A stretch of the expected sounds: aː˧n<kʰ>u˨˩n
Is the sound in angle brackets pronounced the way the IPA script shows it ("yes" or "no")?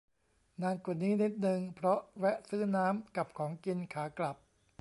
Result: no